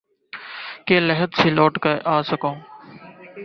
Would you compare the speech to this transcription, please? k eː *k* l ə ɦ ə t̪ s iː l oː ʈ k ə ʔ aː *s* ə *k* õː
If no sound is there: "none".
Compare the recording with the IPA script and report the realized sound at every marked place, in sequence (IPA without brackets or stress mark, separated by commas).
none, s, k